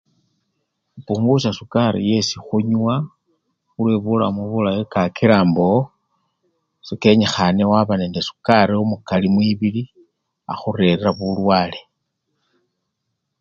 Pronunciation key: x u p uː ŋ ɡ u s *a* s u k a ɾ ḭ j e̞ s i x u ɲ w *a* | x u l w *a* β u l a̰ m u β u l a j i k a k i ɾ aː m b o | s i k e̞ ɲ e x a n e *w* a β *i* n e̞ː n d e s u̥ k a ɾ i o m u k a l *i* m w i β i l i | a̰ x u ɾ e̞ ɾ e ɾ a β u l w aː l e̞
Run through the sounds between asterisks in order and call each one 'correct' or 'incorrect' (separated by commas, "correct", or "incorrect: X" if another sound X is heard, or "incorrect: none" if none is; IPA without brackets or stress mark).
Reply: correct, correct, incorrect: e, correct, incorrect: a, correct